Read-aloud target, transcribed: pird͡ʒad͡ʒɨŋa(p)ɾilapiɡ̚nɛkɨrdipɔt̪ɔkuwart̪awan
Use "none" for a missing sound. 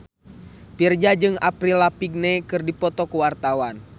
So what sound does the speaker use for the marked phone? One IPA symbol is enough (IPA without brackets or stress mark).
p